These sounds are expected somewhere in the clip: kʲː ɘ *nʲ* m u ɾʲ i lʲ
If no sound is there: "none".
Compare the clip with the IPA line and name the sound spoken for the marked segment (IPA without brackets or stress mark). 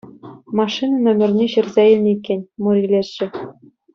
nʲ